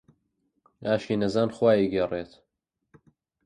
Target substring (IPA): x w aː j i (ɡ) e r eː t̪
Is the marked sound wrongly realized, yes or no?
no